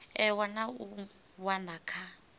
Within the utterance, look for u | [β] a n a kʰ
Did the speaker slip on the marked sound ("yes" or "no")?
yes